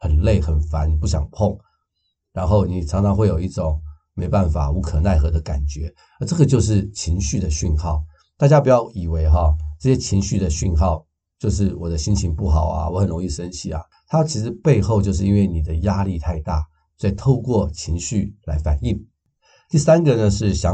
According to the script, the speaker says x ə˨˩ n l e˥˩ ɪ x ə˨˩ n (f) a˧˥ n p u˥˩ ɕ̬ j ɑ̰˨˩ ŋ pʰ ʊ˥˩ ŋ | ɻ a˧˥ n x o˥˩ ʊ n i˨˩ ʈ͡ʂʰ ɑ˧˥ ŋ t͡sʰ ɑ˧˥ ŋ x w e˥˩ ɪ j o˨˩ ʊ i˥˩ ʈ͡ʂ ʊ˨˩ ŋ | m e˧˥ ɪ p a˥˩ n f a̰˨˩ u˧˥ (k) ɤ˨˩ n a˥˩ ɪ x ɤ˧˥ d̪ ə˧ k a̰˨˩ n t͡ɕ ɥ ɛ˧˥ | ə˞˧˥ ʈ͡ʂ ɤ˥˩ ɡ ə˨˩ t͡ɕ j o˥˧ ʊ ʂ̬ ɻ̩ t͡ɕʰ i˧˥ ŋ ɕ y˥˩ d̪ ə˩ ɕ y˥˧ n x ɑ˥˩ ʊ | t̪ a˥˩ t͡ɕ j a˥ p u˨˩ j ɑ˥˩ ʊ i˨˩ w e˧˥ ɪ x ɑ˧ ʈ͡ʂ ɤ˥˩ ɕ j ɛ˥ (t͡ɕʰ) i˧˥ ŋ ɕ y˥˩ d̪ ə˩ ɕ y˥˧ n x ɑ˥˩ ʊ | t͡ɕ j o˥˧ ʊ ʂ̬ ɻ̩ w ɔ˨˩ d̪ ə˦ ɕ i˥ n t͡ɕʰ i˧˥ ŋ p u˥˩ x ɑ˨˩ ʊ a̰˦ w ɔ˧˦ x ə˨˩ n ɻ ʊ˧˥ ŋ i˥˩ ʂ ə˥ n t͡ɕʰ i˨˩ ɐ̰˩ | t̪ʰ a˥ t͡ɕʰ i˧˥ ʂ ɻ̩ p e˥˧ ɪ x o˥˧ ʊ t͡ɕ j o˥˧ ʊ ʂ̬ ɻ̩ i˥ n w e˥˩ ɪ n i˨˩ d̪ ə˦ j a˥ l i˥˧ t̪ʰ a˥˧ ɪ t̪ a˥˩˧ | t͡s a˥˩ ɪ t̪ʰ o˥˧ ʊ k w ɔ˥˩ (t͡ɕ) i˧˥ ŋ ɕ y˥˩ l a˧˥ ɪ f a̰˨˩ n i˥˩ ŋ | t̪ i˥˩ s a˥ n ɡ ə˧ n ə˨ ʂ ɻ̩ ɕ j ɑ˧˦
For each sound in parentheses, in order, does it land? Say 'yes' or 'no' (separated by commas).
yes, no, yes, no